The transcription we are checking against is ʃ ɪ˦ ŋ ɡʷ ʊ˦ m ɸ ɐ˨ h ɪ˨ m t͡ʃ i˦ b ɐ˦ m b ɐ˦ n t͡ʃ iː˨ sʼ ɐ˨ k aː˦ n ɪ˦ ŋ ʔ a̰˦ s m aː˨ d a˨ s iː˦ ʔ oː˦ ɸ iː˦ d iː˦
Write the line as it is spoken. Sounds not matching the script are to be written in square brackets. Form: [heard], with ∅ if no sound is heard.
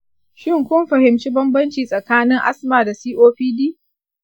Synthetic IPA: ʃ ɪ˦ ŋ [kʷ] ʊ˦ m ɸ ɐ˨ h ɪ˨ m t͡ʃ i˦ b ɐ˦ m b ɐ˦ n t͡ʃ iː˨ sʼ ɐ˨ k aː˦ n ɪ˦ ŋ ʔ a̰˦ s m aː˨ d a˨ s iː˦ ʔ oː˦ ɸ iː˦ d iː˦